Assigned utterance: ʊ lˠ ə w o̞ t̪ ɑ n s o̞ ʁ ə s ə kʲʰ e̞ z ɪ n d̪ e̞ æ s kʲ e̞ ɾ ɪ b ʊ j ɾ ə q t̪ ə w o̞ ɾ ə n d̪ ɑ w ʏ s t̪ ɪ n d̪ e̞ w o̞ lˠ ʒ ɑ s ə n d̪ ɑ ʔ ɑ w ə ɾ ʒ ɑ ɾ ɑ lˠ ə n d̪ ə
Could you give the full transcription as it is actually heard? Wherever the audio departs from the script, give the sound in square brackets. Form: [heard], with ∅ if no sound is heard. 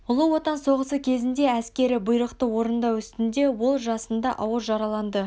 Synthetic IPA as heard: ʊ lˠ ə w o̞ t̪ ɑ n s o̞ ʁ ə s ə kʲʰ e̞ z ɪ n d̪ e̞ æ s kʲ e̞ ɾ ɪ b ʊ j ɾ ə q t̪ ə w o̞ ɾ ə n d̪ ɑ w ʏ s t̪ ɪ n d̪ e̞ w o̞ lˠ ʒ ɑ s ə n d̪ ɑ ʔ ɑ w ə ɾ ʒ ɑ ɾ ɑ lˠ [ɑ] n d̪ ə